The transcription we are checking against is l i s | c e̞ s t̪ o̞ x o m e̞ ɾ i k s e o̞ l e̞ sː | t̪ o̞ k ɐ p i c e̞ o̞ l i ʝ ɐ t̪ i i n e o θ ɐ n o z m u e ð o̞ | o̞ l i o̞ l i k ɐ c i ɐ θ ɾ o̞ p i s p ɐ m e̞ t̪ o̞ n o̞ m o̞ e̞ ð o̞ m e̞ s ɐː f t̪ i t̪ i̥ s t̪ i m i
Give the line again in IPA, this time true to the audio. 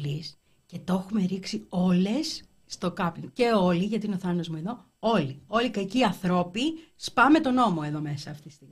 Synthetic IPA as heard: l i s | c e̞ t̪ o̞ x u m e̞ ɾ i k s i o̞ l e̞ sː | t̪ o̞ k ɐ p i c e̞ o̞ l i ʝ ɐ t̪ i i n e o θ ɐ n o z m u e ð o̞ | o̞ l i o̞ l i k ɐ c i ɐ θ ɾ o̞ p i s p ɐ m e̞ t̪ o̞ n o̞ m o̞ e̞ ð o̞ m e̞ s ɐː f t̪ i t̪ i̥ s t̪ i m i